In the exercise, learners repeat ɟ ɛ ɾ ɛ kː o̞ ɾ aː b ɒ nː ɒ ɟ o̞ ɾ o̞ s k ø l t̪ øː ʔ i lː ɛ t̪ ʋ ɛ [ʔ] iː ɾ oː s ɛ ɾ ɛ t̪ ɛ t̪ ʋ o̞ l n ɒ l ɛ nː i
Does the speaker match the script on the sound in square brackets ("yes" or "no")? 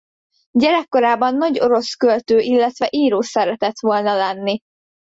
yes